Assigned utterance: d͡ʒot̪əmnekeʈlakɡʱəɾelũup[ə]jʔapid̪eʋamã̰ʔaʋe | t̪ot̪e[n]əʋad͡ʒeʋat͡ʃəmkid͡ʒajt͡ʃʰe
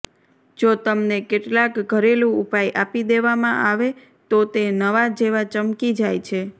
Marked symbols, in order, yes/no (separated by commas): no, yes